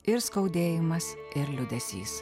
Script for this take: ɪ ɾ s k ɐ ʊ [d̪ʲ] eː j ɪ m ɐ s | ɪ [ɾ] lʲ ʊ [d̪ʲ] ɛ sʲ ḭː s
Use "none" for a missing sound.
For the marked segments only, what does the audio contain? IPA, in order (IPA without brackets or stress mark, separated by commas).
d̪ʲ, ɾ, d̪ʲ